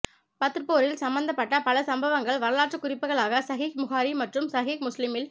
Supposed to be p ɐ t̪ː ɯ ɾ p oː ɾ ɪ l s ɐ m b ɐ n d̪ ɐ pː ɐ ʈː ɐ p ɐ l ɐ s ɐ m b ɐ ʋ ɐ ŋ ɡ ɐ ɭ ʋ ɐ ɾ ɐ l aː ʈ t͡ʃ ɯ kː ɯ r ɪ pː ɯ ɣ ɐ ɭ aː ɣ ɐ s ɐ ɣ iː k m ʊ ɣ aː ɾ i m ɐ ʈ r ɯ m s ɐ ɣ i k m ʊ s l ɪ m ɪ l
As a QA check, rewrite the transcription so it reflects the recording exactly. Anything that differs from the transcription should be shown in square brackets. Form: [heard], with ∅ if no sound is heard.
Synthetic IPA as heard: p ɐ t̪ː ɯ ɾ p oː ɾ ɪ l s ɐ m b ɐ n d̪ ɐ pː ɐ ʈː ɐ p ɐ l ɐ s ɐ m b ɐ ʋ ɐ ŋ ɡ ɐ ɭ ʋ ɐ ɾ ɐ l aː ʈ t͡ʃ ɯ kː [ʊ] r ɪ pː ɯ ɣ ɐ ɭ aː ɣ ɐ s ɐ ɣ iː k m ʊ ɣ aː ɾ i m ɐ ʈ r ɯ m s ɐ ɣ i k m ʊ s l ɪ m ɪ l